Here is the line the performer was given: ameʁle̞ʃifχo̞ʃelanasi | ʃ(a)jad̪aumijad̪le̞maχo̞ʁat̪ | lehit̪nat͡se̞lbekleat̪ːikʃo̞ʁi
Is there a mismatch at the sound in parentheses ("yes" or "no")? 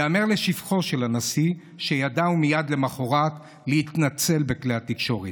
yes